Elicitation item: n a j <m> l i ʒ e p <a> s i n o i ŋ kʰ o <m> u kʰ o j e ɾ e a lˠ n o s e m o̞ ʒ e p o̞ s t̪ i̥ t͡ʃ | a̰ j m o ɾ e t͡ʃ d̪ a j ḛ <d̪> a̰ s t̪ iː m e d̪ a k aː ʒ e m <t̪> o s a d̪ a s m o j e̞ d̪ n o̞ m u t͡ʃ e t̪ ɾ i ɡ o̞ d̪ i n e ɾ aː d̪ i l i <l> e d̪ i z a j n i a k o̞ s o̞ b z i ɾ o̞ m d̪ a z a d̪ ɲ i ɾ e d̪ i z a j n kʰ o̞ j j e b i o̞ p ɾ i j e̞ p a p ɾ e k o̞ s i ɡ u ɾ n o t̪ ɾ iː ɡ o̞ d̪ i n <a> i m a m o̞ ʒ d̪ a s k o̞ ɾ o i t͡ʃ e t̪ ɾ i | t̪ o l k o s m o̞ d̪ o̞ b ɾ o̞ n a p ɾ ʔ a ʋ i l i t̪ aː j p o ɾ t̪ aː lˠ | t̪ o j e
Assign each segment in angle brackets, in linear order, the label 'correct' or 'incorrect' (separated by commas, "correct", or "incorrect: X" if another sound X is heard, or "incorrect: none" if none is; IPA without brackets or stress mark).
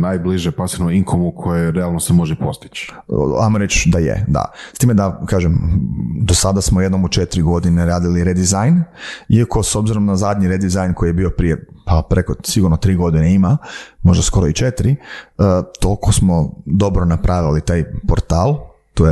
incorrect: b, correct, correct, correct, incorrect: d̪, incorrect: ɾ, incorrect: e